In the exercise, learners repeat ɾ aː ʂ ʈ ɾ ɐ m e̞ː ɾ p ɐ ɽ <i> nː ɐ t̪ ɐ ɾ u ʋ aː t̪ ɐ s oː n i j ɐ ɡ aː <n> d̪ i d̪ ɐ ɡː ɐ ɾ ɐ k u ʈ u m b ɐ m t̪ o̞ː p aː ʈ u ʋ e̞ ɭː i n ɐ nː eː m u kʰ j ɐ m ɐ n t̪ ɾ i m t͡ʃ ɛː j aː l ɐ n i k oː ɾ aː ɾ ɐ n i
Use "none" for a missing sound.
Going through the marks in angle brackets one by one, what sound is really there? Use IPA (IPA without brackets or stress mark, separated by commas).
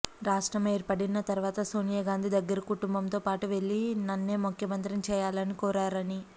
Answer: i, n